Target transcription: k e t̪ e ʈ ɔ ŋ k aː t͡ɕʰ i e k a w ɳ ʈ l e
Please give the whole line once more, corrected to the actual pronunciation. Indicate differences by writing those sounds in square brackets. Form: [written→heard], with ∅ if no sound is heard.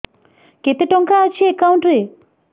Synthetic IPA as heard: k e t̪ e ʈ ɔ ŋ k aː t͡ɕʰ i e k a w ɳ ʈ [l→ɾ] e

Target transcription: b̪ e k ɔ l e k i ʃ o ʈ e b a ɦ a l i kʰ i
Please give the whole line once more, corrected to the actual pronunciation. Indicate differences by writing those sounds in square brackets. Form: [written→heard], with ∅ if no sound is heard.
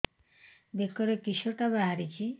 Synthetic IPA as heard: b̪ e k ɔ [l→ɾ] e k i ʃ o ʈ [e→a] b a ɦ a [l→ɾ] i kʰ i

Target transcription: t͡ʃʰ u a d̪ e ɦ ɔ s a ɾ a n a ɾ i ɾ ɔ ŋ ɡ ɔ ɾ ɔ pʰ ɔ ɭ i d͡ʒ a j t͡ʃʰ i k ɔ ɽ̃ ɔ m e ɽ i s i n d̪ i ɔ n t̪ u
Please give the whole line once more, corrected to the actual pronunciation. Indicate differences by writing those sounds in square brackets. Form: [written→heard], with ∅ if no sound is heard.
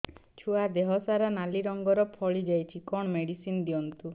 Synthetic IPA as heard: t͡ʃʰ u a d̪ e ɦ ɔ s a ɾ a n a [ɾ→l] i ɾ ɔ ŋ ɡ ɔ ɾ ɔ pʰ ɔ ɭ i d͡ʒ a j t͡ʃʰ i k ɔ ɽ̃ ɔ m e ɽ i s i n d̪ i ɔ n t̪ u

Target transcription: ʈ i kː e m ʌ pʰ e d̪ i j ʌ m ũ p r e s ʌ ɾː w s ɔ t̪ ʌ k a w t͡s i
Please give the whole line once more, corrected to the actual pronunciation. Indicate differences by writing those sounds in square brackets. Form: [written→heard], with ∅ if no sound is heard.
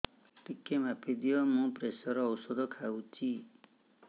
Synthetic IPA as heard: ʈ i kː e m [ʌ→a] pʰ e d̪ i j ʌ m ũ p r e s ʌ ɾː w s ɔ [t̪→d̪] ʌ [k→kʰ] a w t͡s i

